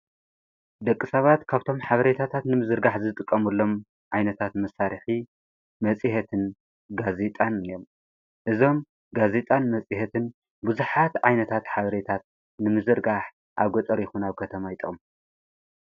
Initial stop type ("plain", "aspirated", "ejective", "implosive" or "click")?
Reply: plain